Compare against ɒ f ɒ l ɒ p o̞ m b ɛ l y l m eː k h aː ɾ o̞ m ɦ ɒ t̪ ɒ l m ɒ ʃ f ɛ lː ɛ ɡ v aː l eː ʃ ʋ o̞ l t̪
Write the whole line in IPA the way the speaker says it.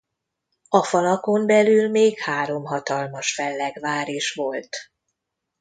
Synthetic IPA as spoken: ɒ f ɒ l ɒ k o̞ m b ɛ l y l m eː k h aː ɾ o̞ m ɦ ɒ t̪ ɒ l m ɒ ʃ f ɛ lː ɛ ɡ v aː ɾ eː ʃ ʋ o̞ l t̪